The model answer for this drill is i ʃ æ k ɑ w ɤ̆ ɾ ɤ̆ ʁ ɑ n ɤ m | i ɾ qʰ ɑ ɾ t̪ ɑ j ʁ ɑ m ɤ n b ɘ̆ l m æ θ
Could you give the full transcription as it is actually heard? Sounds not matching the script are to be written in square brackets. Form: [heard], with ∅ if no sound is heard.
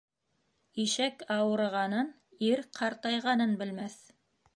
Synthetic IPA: i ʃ æ k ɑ w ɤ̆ ɾ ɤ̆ ʁ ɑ n ɤ [n] | i ɾ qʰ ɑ ɾ t̪ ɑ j ʁ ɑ [n] ɤ n b ɘ̆ l m æ θ